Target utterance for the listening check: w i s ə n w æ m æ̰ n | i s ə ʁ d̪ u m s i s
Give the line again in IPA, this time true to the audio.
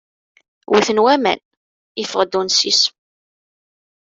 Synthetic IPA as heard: w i θ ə n w æ m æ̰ n | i f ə ʁ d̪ u n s i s